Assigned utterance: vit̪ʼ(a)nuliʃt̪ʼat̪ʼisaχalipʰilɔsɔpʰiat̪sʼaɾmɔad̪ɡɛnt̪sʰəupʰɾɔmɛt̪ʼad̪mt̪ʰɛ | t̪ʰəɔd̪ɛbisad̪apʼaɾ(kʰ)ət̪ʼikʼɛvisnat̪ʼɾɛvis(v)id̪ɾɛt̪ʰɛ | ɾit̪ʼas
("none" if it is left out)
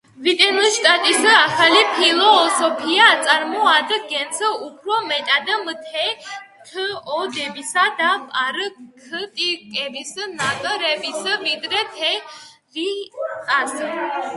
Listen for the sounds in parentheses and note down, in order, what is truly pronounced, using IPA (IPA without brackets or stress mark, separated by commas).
ɛ, kʰ, v